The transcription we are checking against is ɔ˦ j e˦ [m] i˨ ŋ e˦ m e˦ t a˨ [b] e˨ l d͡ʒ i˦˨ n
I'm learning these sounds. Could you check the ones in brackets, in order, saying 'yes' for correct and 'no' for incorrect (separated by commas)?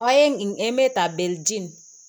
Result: no, yes